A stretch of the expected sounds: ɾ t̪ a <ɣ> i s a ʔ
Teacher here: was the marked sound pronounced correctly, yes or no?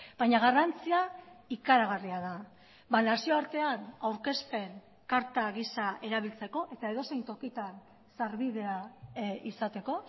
yes